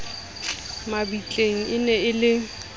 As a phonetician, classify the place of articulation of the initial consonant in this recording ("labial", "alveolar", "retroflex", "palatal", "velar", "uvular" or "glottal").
labial